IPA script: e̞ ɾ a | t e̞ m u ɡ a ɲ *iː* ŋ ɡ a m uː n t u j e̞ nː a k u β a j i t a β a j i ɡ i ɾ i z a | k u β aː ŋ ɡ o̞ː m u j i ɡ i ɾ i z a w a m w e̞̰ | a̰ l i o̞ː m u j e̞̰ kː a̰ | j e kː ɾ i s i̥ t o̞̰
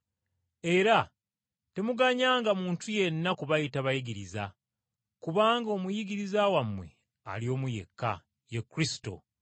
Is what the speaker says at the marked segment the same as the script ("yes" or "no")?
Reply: no